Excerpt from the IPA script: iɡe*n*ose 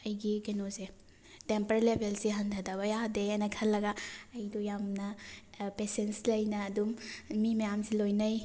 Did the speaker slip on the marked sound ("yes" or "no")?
no